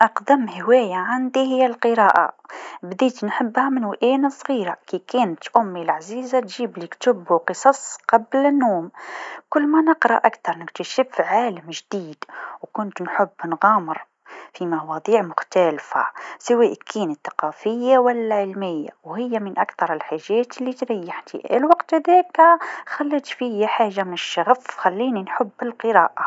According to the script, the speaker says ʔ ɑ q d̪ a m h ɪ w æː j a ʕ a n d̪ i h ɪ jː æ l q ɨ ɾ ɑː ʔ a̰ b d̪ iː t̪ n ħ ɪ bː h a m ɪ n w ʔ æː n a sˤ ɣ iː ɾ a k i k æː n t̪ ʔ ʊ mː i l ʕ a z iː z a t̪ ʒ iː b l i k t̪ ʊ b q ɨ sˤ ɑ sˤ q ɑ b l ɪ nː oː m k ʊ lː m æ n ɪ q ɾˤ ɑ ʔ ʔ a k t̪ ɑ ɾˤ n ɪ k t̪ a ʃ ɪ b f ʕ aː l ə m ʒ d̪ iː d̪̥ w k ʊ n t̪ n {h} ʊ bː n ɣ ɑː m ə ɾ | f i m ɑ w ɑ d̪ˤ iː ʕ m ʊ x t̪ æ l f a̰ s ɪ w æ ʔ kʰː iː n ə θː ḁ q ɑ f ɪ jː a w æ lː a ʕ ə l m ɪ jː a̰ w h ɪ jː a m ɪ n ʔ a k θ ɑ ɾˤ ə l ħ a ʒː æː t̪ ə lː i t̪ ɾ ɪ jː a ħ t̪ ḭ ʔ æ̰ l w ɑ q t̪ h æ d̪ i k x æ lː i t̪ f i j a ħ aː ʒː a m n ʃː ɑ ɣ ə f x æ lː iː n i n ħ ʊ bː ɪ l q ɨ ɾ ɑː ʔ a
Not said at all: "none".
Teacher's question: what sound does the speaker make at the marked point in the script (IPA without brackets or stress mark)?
ħ